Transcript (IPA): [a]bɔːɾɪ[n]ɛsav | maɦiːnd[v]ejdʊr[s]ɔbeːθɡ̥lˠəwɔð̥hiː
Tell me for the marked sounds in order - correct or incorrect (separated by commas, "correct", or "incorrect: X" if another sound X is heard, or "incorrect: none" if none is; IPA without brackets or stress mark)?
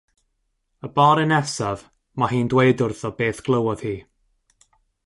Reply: incorrect: ə, correct, incorrect: w, incorrect: θ